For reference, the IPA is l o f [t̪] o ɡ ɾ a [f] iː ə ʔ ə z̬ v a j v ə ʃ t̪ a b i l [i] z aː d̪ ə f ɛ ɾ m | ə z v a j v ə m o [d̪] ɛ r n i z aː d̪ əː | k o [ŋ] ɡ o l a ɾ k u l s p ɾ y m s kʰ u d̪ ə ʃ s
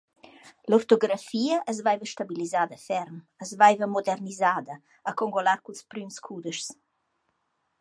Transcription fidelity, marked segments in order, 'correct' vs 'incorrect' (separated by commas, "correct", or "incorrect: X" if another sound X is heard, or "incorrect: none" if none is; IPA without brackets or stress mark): correct, correct, correct, correct, correct